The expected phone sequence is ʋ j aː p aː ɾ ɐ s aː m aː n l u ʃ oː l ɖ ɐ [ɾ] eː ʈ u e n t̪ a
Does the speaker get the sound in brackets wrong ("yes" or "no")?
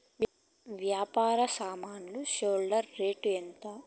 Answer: yes